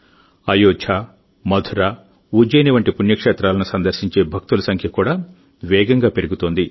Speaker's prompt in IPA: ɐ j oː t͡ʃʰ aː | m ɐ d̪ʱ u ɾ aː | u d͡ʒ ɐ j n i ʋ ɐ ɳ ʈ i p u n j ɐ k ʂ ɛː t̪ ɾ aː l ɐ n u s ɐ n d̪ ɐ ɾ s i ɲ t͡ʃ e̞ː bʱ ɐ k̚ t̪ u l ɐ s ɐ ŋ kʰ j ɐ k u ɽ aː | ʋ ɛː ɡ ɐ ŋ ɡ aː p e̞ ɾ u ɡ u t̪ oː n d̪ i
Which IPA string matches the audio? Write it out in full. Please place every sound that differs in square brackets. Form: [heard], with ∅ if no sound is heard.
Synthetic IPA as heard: ɐ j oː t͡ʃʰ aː | m ɐ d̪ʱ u ɾ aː | u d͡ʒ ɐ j n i ʋ ɐ ɳ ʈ i p u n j ɐ k ʂ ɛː t̪ ɾ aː l ɐ n u s ɐ n d̪ ɐ ɾ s i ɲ t͡ʃ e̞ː bʱ ɐ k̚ t̪ u l ɐ s ɐ ŋ kʰ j ɐ k [uː] ɽ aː | ʋ ɛː ɡ ɐ ŋ ɡ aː p e̞ ɾ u ɡ u t̪ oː n d̪ i